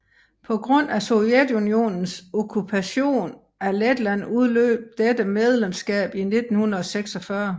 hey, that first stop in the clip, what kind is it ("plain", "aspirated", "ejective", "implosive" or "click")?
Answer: aspirated